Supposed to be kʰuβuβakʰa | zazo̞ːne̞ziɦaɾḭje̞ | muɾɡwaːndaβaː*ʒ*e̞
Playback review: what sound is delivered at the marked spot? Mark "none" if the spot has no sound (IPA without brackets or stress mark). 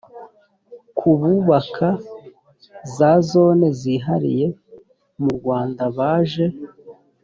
ʒ